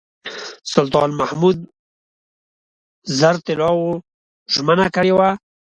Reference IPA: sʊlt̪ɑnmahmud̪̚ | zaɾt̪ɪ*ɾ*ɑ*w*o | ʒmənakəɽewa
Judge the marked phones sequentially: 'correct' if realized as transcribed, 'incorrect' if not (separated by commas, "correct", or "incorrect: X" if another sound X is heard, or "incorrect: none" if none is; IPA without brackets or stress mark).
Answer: incorrect: l, correct